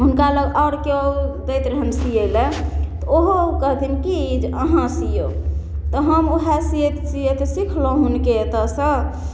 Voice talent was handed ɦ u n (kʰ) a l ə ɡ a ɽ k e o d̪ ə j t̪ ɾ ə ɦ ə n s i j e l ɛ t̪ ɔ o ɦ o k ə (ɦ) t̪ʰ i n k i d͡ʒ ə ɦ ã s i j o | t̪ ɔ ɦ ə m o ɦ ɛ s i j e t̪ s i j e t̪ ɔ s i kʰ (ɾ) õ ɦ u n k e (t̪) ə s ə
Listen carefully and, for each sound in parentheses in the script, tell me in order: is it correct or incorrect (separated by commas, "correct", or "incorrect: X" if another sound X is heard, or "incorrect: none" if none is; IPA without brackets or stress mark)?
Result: incorrect: k, correct, incorrect: l, correct